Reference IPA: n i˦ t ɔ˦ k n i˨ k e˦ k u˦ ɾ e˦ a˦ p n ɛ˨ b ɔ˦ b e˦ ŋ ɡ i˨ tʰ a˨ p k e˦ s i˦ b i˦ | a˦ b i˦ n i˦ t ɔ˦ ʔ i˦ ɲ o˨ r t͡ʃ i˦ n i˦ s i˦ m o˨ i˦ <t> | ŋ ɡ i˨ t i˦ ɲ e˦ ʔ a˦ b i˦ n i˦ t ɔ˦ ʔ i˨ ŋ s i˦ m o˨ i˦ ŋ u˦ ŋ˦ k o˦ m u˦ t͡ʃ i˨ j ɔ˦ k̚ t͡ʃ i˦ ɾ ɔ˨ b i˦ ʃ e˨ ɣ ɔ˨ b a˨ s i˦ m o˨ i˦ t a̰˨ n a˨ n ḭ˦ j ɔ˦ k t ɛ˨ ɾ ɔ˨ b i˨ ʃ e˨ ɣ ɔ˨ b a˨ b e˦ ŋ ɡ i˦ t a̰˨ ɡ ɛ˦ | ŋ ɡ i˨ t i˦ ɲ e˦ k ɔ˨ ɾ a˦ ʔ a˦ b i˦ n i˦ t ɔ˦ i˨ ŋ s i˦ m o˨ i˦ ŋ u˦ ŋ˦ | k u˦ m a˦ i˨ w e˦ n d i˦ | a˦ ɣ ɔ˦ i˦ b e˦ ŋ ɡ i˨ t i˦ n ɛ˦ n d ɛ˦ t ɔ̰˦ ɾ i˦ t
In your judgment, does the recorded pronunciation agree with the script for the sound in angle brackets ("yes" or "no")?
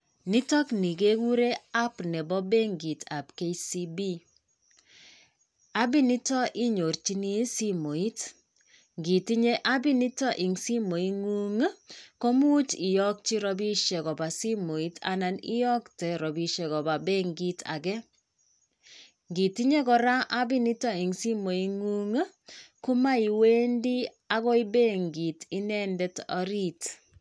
yes